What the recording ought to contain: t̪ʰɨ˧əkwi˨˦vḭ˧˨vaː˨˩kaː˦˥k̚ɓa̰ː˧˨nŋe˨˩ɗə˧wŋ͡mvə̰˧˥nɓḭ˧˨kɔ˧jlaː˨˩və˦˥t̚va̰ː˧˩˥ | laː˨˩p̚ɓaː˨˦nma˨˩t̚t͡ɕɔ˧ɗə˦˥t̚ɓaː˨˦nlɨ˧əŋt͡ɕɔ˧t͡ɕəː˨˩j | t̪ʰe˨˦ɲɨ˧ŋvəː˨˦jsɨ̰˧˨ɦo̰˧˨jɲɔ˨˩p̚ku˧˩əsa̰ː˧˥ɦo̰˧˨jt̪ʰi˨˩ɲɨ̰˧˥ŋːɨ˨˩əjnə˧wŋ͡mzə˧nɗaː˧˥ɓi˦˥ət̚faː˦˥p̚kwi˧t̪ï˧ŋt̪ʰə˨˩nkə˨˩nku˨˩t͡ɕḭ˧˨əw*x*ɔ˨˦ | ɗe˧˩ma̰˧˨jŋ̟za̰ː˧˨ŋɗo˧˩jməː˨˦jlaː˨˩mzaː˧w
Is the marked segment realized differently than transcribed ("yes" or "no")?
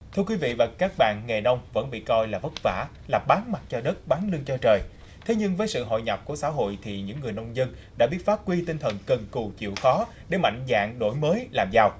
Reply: no